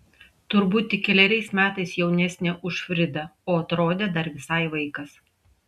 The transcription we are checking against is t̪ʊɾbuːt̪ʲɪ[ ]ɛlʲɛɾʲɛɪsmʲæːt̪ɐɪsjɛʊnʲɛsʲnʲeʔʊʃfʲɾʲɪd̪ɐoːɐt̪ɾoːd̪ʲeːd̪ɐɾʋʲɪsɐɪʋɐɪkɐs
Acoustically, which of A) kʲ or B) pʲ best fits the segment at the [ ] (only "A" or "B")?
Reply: A